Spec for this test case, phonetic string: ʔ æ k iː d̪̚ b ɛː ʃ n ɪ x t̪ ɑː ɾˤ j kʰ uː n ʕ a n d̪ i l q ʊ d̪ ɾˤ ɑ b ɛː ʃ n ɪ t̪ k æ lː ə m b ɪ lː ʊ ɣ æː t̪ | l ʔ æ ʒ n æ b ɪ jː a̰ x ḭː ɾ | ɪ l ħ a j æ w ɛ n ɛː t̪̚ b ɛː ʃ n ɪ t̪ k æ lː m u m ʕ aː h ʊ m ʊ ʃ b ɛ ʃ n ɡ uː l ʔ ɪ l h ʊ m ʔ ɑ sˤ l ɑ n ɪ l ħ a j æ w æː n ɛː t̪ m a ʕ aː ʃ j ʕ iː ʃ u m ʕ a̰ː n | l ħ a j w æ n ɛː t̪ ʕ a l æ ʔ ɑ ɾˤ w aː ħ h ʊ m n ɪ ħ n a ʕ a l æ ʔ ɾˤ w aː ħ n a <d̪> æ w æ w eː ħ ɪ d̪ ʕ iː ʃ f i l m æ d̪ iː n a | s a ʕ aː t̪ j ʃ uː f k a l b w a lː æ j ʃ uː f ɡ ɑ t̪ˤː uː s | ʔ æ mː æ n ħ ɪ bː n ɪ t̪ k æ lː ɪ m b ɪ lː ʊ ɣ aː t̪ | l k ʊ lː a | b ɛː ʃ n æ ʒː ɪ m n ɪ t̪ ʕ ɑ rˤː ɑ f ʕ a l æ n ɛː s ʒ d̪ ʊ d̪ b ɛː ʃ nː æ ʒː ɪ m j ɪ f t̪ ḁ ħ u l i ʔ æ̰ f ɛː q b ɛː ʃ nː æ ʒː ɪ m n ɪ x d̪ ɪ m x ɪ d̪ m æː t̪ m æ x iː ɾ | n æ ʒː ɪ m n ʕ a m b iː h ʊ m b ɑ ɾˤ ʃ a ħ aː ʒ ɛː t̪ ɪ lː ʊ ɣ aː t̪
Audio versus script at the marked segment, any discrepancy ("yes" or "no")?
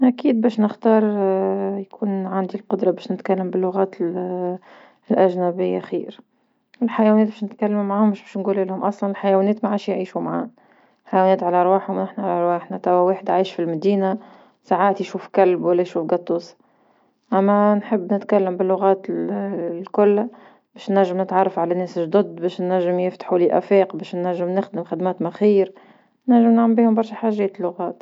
yes